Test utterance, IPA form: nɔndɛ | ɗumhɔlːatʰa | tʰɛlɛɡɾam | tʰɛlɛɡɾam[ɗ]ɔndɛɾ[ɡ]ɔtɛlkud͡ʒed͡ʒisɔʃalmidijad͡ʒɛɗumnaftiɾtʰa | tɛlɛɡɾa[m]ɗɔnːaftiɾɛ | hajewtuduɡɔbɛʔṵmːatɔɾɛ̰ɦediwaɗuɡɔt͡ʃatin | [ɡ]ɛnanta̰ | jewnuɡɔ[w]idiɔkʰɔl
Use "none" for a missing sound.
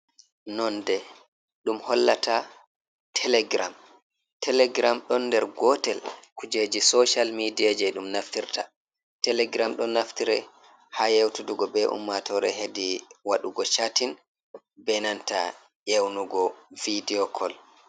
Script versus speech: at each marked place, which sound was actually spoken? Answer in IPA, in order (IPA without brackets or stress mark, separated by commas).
ɗ, ɡ, m, b, v